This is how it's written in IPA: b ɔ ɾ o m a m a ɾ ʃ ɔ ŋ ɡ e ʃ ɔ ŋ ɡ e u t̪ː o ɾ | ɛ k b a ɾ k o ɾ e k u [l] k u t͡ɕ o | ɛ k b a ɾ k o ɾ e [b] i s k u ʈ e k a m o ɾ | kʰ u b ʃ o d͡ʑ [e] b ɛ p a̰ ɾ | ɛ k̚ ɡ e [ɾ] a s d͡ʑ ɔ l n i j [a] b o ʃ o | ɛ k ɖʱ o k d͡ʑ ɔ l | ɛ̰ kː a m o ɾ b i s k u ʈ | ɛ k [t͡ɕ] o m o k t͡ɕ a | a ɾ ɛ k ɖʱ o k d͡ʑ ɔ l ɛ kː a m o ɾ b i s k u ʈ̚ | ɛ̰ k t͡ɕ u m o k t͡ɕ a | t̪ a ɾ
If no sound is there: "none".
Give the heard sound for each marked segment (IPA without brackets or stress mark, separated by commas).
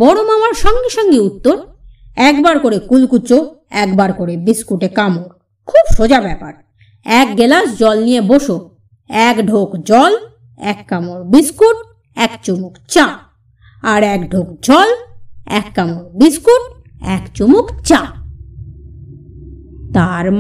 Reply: l, b, a, l, e, t͡ɕ